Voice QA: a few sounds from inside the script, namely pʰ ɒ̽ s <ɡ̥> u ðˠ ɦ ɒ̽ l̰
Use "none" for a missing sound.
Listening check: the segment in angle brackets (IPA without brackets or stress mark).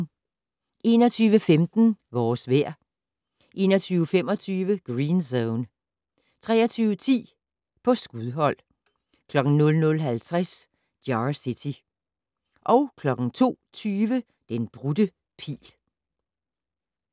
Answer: ɡ̥